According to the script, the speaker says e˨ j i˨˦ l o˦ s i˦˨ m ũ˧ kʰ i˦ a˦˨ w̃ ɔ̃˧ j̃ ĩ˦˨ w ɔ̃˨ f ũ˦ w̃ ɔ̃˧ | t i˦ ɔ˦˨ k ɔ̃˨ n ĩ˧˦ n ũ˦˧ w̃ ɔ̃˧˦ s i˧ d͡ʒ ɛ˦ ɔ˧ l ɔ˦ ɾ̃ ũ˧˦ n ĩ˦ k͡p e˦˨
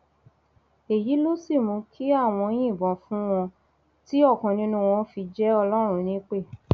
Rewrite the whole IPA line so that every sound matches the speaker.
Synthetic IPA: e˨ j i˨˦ l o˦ s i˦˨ m ũ˧ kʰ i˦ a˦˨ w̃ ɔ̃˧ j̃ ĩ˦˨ b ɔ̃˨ f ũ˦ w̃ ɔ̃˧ | t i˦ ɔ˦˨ k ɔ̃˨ n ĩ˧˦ n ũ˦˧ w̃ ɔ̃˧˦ f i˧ d͡ʒ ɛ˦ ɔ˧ l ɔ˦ ɾ̃ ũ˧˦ n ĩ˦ k͡p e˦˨